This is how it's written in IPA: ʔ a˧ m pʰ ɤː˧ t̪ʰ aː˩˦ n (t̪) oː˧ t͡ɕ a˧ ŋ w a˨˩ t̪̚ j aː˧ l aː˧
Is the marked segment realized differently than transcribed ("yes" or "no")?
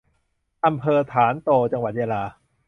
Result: no